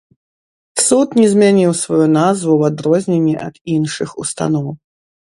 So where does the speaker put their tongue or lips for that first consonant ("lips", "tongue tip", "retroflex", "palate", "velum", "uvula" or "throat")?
tongue tip